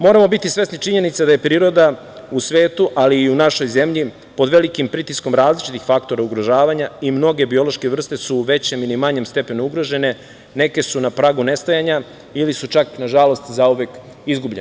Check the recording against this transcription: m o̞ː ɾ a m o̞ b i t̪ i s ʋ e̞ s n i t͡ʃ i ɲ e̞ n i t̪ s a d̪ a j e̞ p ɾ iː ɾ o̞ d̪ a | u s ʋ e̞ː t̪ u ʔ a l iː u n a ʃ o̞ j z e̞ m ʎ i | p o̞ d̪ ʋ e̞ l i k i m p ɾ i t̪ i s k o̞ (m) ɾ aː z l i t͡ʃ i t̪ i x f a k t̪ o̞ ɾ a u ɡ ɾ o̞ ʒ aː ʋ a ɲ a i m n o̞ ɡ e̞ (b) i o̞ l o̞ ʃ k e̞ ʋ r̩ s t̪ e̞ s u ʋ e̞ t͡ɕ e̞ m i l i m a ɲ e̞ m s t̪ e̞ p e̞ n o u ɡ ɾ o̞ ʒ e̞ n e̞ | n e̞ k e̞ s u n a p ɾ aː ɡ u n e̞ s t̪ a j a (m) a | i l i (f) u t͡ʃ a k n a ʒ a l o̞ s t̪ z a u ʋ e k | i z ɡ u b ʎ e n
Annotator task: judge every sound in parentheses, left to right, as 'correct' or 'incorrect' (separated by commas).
correct, correct, incorrect, incorrect